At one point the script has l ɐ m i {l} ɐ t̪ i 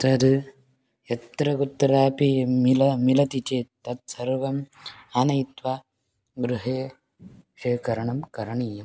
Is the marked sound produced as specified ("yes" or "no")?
yes